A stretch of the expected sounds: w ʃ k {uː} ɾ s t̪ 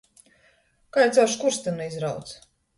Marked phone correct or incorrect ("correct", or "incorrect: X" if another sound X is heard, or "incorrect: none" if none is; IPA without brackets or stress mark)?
incorrect: u